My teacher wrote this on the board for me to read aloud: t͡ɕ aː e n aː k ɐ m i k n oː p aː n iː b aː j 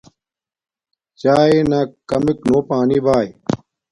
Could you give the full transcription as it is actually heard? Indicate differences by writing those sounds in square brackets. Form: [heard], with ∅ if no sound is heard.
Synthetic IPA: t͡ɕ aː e n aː k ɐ m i k n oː p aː n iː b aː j